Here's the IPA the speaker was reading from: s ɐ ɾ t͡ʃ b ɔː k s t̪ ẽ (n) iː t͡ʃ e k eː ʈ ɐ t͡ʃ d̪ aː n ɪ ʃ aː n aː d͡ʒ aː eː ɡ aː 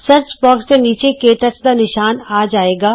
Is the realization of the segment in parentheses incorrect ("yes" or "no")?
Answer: no